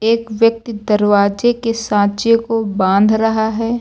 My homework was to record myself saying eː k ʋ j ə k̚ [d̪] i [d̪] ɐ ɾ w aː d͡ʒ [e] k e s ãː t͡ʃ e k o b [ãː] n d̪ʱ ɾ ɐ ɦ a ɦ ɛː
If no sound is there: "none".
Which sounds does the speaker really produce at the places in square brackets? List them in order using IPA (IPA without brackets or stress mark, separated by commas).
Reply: t̪, d̪, e, ãː